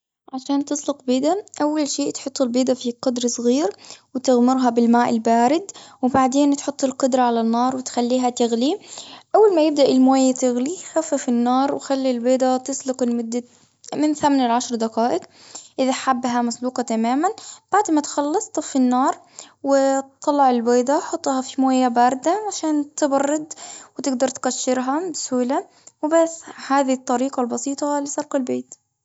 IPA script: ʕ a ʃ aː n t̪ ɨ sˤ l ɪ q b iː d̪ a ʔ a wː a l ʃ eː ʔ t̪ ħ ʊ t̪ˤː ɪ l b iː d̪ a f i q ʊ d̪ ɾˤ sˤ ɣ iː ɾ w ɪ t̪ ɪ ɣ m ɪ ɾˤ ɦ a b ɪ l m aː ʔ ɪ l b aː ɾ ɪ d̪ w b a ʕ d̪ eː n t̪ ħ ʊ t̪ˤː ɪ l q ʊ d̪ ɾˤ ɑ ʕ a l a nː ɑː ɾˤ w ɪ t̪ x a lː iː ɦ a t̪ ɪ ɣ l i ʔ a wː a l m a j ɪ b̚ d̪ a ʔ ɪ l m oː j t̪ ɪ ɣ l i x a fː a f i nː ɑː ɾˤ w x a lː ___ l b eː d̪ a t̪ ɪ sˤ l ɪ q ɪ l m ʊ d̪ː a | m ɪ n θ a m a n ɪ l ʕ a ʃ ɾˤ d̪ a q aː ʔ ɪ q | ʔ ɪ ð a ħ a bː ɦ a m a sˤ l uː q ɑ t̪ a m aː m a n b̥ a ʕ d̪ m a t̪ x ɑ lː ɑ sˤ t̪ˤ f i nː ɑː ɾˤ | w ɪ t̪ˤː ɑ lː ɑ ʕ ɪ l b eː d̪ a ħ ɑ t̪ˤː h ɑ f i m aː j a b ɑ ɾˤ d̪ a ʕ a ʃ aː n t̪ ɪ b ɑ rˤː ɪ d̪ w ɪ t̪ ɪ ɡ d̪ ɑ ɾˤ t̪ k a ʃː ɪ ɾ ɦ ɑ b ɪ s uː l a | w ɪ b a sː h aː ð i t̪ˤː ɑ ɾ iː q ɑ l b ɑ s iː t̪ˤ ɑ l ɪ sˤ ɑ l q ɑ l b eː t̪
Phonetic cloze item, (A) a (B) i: B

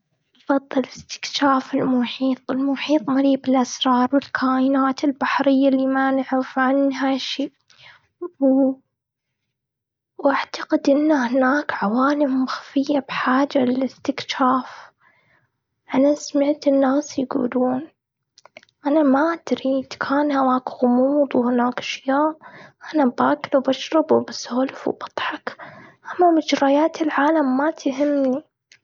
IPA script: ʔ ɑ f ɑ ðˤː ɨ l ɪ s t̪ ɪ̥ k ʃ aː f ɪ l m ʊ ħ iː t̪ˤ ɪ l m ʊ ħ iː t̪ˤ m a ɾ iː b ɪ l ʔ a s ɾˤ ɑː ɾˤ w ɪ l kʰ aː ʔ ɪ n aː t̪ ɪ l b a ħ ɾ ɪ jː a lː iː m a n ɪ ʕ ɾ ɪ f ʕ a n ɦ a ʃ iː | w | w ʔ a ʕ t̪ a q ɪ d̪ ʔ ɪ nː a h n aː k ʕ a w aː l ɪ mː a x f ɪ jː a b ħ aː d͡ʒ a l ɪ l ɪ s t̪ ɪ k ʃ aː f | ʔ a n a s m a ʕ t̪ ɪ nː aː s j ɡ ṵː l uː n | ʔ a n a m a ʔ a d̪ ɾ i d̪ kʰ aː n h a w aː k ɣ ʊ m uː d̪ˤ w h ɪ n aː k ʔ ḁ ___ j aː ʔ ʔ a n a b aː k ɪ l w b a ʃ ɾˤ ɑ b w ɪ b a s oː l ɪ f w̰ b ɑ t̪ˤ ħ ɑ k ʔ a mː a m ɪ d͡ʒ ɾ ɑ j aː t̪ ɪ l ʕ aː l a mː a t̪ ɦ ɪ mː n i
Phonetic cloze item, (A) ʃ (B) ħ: A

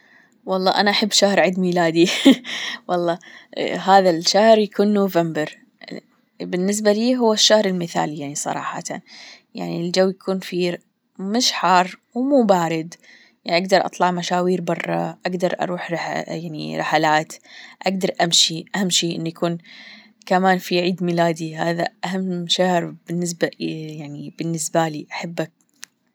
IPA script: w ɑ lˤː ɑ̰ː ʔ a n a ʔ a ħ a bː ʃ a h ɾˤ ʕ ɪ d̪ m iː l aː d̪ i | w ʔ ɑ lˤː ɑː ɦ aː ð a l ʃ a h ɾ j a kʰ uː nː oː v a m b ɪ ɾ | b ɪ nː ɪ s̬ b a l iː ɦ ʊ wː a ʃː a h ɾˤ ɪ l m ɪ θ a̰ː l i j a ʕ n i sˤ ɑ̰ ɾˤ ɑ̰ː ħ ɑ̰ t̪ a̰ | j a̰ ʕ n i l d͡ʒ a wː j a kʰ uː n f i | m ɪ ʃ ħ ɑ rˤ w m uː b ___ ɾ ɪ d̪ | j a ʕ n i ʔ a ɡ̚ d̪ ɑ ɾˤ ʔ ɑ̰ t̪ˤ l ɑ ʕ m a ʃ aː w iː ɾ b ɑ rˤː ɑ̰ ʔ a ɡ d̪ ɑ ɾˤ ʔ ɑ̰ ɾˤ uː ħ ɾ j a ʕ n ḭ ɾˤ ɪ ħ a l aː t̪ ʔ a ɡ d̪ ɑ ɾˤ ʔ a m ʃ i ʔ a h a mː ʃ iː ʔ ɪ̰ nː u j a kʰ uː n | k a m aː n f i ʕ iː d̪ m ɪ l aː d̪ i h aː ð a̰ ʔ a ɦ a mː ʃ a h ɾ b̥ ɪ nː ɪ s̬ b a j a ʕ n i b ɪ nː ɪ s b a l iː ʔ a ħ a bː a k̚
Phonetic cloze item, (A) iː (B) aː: B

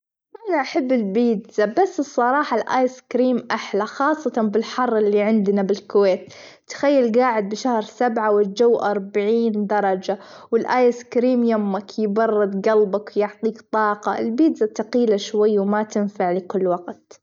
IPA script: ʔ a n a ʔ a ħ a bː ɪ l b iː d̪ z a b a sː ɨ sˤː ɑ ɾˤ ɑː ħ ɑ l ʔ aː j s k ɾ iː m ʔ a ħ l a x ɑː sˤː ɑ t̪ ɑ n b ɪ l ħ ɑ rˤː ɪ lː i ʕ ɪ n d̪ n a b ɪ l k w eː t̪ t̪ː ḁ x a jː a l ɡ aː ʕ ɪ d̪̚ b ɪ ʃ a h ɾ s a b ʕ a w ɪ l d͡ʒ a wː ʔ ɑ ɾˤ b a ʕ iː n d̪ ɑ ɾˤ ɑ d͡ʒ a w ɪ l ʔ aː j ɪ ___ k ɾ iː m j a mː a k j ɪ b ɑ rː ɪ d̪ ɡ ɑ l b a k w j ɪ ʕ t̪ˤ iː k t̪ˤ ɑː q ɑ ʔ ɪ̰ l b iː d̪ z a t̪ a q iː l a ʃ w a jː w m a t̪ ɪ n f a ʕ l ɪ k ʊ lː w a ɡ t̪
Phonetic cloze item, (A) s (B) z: A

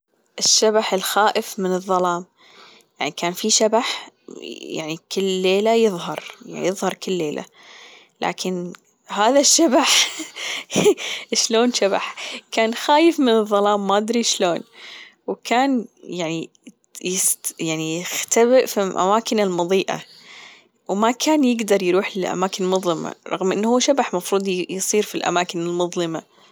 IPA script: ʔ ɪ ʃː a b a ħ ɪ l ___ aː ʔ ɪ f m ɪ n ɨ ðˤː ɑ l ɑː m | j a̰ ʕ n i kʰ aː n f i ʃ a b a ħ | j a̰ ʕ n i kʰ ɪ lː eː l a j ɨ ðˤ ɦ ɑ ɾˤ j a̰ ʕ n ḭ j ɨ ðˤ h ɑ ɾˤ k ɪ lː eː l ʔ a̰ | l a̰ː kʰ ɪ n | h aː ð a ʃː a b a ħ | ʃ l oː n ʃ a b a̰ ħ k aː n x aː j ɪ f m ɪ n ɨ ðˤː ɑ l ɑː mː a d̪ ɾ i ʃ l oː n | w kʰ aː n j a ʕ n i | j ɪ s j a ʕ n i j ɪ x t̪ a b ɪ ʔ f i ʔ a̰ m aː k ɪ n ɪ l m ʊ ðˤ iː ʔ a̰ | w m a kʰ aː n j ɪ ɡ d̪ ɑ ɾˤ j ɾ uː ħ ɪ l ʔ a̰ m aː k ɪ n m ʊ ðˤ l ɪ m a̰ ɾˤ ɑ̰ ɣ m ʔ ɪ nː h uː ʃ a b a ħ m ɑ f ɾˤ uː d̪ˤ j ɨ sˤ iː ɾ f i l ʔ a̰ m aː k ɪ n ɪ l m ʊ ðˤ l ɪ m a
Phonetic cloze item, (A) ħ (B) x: B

